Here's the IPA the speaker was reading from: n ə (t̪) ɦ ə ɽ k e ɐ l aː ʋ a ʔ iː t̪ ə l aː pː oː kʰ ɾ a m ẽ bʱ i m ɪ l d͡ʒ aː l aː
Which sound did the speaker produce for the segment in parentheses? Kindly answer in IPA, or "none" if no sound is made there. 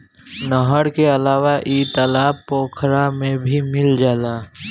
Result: none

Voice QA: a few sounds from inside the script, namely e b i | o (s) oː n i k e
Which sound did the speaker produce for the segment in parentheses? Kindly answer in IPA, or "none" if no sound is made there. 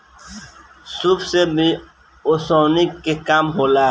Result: s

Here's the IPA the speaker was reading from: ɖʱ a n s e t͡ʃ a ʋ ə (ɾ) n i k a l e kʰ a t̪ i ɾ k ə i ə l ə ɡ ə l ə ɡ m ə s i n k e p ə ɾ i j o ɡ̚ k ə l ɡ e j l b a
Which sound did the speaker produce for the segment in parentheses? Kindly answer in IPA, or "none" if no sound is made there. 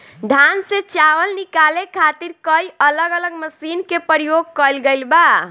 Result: l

